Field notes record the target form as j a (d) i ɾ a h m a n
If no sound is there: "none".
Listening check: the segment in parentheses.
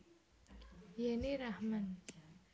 n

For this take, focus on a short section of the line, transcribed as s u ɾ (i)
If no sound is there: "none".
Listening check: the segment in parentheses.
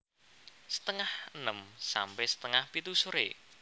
e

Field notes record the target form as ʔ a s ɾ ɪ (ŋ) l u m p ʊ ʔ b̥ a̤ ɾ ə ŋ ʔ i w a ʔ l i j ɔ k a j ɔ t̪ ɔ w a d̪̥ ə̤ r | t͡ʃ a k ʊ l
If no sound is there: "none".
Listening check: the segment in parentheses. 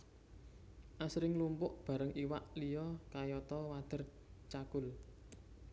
ŋ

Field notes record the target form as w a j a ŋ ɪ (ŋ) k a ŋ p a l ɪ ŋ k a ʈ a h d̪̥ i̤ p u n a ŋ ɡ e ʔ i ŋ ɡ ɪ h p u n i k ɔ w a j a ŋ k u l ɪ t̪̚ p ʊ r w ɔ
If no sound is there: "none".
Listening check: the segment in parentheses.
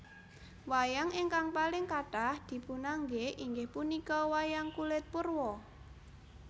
ŋ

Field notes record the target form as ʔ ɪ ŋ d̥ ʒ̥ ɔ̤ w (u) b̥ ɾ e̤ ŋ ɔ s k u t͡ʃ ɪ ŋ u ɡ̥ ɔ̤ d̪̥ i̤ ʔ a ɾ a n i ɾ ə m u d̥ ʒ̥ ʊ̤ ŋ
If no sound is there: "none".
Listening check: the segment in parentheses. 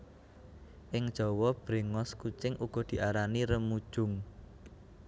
ɔ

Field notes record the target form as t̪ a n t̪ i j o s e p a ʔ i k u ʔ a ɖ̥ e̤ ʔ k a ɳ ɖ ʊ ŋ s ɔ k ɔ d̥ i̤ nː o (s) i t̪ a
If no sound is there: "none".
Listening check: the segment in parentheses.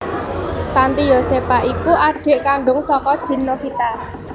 f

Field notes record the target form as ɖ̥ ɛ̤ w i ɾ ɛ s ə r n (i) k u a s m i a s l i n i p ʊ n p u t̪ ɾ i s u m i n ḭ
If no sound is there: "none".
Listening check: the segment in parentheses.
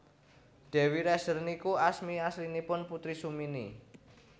i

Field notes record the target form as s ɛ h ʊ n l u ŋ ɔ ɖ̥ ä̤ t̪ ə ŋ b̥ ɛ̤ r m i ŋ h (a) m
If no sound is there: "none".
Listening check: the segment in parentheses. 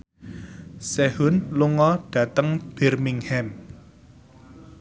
ɛ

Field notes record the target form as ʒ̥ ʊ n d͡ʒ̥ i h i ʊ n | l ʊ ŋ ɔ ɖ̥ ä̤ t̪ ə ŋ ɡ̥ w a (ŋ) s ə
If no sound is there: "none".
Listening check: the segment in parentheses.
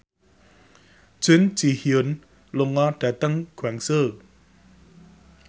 ŋ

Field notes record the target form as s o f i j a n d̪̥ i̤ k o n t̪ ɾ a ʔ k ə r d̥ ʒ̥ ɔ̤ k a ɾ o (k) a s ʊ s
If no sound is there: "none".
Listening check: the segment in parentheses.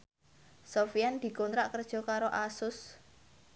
ʔ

